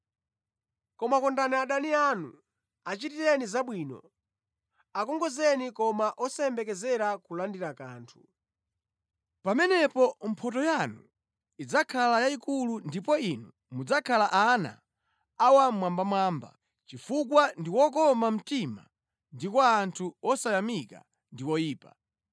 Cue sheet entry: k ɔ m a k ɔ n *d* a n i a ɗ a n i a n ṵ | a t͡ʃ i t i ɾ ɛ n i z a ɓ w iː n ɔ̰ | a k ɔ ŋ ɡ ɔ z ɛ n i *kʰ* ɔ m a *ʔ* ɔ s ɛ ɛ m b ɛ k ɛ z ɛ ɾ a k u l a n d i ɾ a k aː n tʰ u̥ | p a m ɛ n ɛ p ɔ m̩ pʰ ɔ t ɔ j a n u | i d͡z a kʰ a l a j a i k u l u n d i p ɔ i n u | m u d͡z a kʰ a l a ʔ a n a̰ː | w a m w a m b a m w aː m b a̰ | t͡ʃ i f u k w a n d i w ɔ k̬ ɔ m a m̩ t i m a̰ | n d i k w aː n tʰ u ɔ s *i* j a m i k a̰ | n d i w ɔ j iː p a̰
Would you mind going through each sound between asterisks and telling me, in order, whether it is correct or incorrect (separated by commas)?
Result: correct, incorrect, correct, incorrect